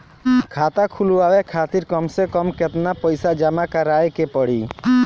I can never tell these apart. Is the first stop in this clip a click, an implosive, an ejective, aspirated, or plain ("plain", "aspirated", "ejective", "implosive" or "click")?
aspirated